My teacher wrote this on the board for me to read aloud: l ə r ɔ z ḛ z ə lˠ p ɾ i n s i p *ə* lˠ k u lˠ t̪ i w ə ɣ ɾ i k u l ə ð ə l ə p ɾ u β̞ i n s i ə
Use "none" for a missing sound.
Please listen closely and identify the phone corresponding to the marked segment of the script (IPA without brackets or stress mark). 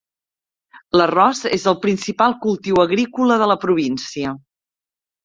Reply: a